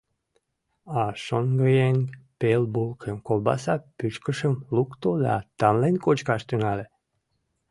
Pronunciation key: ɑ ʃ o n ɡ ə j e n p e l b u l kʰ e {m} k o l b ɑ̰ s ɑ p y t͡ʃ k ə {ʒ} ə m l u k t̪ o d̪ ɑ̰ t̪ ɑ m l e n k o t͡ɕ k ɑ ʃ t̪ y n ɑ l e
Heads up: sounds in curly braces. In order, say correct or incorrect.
correct, incorrect: ʃ

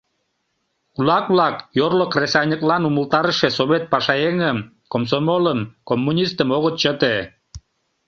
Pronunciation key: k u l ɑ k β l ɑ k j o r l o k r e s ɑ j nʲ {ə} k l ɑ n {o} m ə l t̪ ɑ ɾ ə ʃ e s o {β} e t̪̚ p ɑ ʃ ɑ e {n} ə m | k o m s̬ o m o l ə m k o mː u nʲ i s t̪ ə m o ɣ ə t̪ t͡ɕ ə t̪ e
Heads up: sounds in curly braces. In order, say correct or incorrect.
correct, incorrect: u, correct, incorrect: ŋ

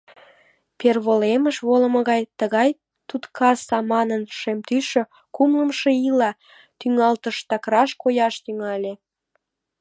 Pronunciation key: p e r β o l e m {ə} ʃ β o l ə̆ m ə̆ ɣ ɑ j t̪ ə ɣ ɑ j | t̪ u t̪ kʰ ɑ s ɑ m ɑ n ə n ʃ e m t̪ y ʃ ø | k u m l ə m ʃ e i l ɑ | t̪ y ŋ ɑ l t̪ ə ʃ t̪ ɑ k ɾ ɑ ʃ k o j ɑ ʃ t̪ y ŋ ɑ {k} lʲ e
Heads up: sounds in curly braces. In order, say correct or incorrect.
correct, incorrect: none

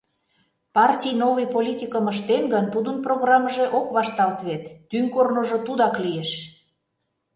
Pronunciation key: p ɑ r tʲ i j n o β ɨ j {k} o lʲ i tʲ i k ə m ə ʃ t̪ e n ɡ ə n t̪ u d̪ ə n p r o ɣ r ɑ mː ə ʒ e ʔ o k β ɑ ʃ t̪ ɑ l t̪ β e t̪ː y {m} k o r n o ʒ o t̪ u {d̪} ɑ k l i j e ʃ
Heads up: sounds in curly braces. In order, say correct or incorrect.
incorrect: p, incorrect: ŋ, correct

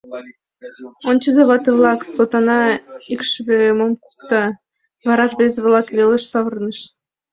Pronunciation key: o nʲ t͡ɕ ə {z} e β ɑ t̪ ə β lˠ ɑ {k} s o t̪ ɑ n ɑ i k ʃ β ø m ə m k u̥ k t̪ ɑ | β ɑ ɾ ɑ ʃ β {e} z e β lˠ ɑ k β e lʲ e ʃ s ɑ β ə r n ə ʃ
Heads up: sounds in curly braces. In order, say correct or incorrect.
correct, correct, correct

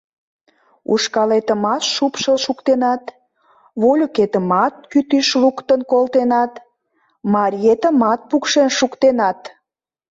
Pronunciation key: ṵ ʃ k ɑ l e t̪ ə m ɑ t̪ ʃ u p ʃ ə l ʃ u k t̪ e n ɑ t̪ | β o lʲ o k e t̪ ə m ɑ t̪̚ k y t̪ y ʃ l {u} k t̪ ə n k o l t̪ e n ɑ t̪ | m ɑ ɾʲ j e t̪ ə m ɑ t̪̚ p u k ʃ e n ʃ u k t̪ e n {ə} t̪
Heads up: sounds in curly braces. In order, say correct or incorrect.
correct, incorrect: ɑ

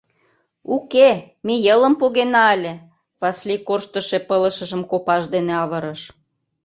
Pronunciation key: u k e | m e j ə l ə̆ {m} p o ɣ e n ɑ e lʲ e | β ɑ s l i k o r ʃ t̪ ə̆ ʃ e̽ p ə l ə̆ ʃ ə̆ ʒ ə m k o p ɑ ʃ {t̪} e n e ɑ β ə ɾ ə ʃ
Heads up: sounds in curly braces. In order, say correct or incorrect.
correct, incorrect: d̪

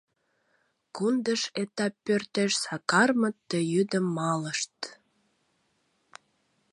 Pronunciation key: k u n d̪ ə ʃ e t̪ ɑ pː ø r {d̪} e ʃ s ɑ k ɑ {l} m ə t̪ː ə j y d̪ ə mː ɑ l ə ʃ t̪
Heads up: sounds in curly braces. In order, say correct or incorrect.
incorrect: t̪, incorrect: r

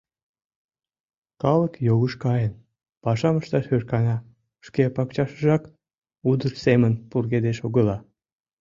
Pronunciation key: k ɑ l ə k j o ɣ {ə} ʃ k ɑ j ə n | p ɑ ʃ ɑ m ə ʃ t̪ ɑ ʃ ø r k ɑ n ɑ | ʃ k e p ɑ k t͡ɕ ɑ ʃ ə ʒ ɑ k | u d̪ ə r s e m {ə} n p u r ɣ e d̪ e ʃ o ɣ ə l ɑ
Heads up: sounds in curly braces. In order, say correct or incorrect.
correct, correct

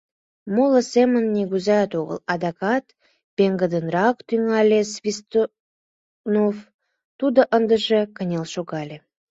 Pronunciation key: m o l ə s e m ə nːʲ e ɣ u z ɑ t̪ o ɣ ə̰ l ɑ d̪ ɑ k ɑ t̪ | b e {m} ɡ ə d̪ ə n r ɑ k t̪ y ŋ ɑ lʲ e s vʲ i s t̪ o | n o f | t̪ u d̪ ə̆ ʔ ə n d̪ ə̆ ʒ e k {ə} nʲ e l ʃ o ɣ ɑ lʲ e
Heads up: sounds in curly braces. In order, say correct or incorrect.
incorrect: ŋ, correct

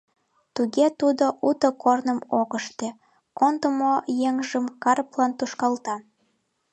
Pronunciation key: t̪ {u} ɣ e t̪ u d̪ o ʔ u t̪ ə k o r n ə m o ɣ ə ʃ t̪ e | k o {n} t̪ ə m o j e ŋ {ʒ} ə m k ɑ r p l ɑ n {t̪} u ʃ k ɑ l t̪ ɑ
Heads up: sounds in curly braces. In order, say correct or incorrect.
correct, correct, correct, correct

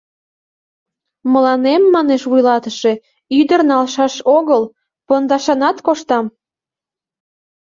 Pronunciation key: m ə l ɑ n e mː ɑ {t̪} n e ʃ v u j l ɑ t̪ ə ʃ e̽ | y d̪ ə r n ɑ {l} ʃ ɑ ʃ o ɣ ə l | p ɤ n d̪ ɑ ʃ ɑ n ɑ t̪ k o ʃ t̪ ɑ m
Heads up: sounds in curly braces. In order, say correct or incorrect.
incorrect: none, correct

